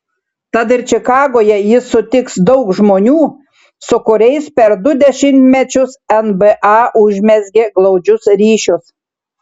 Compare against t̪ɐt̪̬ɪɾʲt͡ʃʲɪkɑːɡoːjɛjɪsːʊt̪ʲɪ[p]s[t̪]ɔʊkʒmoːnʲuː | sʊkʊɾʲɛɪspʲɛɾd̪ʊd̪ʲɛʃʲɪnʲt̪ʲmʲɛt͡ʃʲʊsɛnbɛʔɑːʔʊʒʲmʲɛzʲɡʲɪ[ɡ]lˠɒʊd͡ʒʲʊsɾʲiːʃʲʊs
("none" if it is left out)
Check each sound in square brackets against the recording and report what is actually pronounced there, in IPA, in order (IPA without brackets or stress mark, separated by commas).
k, d̪, ɡ